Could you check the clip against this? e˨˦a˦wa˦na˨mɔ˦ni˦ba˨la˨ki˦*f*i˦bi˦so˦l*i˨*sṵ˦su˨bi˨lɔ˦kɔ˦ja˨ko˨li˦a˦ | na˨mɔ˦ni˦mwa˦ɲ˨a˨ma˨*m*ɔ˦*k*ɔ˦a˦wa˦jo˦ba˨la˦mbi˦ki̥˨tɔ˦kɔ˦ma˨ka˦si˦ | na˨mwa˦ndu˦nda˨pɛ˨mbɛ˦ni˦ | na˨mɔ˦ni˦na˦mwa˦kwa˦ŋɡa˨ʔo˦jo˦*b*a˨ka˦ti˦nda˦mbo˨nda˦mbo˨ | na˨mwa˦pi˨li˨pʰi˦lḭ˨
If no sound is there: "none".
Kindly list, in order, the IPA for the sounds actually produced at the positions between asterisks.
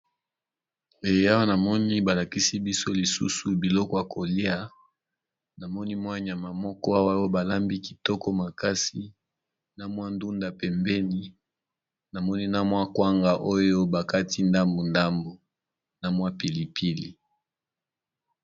s, i˨, m, k, b

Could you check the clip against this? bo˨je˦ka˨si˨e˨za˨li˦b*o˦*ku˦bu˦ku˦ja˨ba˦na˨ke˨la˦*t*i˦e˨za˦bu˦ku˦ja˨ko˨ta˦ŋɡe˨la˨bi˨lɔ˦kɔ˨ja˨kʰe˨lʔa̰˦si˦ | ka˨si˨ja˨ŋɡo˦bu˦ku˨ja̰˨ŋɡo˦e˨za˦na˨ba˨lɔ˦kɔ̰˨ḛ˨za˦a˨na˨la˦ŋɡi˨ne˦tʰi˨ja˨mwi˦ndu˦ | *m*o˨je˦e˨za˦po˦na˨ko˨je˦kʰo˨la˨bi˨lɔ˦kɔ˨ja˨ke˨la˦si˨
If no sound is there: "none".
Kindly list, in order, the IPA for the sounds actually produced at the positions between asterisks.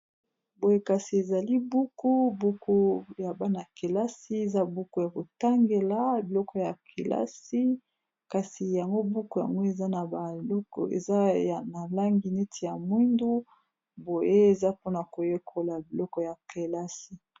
u˦, s, b

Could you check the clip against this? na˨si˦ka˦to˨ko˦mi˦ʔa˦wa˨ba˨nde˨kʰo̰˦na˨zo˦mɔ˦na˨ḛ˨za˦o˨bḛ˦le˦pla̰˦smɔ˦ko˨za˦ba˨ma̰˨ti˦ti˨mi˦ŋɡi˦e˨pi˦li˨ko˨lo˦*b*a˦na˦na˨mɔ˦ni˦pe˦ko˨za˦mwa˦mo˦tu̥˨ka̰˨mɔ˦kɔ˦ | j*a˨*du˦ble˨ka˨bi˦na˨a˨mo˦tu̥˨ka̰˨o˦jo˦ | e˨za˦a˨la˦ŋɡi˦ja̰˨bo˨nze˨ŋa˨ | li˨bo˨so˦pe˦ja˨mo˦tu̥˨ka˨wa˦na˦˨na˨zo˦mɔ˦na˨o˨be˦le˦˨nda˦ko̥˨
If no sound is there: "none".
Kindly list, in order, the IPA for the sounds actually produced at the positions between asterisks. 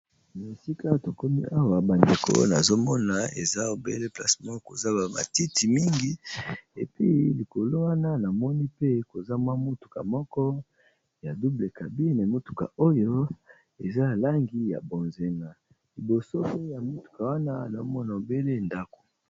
w, a˨

